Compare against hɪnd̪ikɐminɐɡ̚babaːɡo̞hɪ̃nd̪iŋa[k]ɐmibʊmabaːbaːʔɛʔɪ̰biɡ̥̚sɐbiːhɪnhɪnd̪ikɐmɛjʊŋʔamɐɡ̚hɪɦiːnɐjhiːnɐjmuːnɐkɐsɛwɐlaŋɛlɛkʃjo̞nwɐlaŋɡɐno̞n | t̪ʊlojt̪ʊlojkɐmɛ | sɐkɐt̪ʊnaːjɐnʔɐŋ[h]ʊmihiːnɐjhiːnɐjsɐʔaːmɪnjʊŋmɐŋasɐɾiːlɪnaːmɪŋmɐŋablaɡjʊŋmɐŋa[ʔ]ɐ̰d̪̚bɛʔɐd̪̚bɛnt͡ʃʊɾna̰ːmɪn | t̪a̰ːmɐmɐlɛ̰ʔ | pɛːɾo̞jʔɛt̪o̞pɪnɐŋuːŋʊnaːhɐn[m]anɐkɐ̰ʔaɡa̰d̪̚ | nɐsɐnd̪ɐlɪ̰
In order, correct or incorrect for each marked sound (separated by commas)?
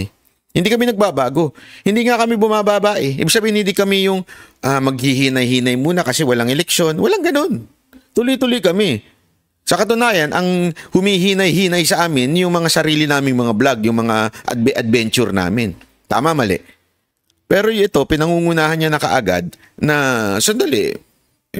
correct, correct, correct, incorrect